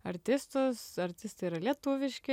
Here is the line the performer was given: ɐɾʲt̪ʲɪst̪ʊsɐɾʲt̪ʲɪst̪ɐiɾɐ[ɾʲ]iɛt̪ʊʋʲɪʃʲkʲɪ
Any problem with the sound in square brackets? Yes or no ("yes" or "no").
yes